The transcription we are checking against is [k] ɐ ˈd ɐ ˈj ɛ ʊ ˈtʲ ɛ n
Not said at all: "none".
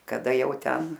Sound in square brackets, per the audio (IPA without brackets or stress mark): k